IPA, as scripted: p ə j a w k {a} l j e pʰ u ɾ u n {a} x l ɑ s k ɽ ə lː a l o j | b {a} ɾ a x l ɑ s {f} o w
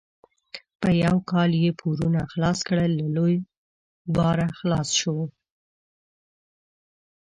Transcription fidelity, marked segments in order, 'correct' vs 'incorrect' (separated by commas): incorrect, correct, incorrect, incorrect